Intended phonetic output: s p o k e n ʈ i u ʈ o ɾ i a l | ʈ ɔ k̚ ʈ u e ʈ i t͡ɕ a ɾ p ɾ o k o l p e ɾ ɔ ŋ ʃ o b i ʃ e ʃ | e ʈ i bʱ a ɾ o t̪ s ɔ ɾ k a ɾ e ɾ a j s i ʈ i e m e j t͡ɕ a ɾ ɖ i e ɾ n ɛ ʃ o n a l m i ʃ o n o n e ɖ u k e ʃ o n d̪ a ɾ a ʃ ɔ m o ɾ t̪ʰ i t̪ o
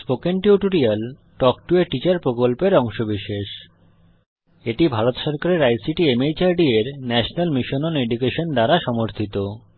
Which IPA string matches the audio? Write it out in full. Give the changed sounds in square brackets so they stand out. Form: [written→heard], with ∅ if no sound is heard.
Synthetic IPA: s p o k e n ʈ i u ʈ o ɾ i a l | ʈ ɔ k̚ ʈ u e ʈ i t͡ɕ a ɾ p ɾ o k o l p e ɾ ɔ ŋ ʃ o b i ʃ e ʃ | e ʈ i bʱ a ɾ o t̪ [s→ʃ] ɔ ɾ k a ɾ e ɾ a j s i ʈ i e m e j t͡ɕ a ɾ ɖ i e ɾ n ɛ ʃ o n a l m i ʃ o n o n e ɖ u k e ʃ o n d̪ a ɾ a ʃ ɔ m o ɾ t̪ʰ i t̪ o